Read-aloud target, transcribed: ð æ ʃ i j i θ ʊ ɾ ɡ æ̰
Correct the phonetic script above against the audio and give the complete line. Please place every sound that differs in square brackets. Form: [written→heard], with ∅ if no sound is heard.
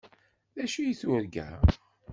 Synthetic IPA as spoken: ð æ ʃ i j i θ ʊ ɾ ɡ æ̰